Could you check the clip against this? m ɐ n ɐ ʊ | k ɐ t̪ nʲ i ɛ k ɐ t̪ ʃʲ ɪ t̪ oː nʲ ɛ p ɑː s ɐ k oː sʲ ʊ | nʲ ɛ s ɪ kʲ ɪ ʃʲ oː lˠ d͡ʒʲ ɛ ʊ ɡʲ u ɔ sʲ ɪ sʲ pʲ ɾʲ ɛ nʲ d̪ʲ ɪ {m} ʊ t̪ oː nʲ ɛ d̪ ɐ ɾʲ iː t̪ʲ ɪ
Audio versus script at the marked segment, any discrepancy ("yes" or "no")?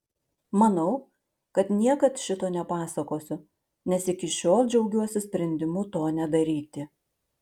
no